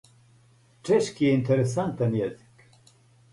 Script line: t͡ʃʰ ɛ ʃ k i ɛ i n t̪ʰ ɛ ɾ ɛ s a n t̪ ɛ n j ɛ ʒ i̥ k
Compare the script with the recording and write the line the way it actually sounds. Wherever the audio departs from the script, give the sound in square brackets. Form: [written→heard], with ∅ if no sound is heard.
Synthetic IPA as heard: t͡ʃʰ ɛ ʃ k i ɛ i n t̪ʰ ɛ ɾ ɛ s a n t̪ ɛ n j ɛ [ʒ→z] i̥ k